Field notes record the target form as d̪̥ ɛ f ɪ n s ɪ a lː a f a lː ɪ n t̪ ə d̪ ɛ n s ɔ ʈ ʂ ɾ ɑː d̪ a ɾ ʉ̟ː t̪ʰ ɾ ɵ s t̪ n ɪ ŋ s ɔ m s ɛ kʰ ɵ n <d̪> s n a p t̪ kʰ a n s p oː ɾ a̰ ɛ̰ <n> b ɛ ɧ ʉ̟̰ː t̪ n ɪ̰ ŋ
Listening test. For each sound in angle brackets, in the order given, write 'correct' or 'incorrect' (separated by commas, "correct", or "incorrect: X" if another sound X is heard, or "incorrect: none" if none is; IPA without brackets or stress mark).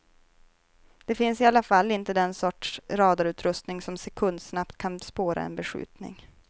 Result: correct, correct